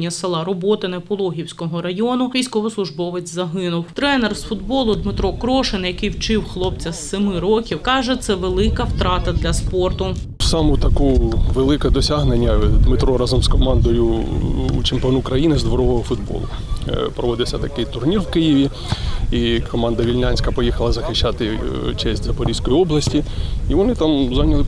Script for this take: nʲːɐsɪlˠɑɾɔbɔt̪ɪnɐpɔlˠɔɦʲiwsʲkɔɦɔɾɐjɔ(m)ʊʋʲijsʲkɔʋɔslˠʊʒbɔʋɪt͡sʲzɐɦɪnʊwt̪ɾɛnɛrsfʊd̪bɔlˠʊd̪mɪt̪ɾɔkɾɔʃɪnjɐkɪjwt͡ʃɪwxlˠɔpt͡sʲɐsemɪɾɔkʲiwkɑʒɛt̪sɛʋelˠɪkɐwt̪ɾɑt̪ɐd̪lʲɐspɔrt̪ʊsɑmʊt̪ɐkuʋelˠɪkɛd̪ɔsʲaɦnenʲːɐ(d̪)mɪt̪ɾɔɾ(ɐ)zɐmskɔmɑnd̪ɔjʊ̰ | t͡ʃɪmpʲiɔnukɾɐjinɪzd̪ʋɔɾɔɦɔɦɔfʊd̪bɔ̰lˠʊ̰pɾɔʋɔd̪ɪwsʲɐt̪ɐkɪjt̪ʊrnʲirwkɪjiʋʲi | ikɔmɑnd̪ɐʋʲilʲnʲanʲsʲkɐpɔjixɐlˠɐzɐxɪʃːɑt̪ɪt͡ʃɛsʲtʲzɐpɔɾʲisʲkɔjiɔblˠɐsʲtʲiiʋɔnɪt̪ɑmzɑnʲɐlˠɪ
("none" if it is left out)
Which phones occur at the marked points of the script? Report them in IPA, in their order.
n, d̪, ɑ

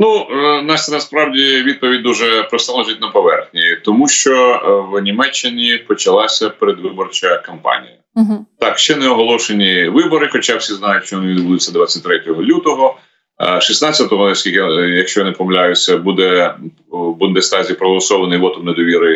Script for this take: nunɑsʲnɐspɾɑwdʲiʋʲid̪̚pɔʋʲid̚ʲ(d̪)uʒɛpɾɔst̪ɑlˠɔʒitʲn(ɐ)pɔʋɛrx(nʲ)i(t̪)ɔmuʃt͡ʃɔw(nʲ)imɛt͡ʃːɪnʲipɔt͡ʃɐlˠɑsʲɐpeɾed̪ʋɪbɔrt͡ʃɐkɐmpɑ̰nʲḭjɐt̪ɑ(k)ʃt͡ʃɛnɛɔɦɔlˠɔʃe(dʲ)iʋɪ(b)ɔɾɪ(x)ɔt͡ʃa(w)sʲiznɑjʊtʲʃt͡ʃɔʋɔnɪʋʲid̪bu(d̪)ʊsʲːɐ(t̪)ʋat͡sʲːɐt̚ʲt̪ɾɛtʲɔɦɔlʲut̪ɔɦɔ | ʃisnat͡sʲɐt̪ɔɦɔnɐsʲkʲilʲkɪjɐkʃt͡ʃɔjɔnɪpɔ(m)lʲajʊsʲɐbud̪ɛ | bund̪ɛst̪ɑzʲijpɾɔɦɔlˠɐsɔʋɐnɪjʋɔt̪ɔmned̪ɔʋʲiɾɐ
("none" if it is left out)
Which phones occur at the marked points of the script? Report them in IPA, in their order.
d̪, ɐ, nʲ, t̪, nʲ, k, nʲ, b, x, w, d̪, d̪, m

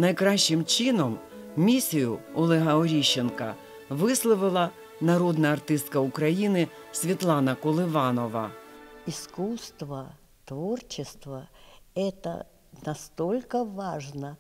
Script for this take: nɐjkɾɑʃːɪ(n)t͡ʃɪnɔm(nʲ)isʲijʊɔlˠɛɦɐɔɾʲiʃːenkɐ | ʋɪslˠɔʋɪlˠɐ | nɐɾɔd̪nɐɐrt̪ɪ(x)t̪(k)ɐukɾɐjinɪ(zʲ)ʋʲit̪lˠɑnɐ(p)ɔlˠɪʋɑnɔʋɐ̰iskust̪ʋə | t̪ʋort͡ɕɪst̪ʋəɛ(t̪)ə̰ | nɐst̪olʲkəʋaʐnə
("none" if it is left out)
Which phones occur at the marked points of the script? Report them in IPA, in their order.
m, mʲ, s, k, sʲ, k, t̪

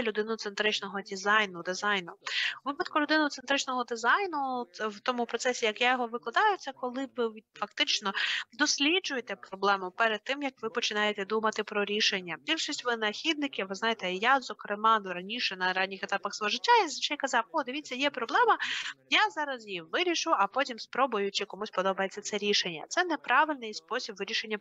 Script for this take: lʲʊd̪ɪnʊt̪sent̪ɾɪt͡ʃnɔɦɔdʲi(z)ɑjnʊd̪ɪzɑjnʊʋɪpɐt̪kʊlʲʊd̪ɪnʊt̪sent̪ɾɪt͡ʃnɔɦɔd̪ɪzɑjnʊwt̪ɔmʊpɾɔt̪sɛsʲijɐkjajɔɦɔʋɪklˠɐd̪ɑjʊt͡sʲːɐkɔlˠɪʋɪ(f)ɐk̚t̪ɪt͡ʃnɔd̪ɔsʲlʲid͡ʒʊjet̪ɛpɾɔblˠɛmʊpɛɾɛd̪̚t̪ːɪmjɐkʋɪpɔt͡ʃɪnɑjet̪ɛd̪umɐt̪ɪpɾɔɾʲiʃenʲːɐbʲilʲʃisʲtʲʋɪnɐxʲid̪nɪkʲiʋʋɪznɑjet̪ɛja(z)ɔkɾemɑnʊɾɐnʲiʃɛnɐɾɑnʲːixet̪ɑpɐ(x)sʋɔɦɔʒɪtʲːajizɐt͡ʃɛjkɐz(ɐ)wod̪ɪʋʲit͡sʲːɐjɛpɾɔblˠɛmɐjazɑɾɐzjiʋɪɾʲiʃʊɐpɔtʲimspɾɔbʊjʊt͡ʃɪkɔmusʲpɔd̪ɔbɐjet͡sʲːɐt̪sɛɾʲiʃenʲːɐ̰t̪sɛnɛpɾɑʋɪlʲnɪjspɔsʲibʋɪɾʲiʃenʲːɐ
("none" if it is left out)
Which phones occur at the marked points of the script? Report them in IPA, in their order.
z, f, z, x, ɑ

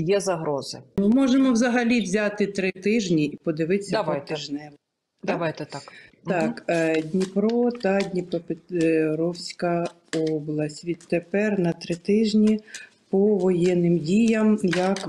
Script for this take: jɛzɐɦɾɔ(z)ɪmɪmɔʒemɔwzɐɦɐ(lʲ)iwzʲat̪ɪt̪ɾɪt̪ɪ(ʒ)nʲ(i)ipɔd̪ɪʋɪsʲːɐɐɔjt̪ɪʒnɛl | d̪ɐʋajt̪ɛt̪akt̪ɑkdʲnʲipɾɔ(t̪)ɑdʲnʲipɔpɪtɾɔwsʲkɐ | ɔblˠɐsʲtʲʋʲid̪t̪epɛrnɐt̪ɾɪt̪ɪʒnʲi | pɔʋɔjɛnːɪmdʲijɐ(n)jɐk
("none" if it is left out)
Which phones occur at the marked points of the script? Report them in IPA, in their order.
z, lʲ, ʒ, i, t̪, m

